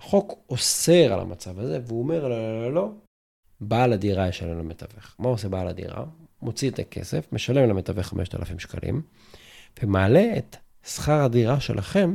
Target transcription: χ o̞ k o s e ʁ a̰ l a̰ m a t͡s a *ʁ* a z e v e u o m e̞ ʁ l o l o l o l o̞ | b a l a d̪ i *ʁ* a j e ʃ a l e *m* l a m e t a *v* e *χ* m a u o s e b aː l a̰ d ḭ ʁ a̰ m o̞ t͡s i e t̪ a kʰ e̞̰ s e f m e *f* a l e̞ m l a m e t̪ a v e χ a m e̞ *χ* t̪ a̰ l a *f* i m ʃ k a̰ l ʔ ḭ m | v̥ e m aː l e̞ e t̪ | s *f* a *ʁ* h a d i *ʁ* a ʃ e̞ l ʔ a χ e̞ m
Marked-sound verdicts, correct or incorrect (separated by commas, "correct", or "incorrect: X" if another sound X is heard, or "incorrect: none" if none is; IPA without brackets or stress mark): incorrect: v, correct, correct, correct, correct, incorrect: ʃ, incorrect: ʃ, correct, incorrect: χ, correct, correct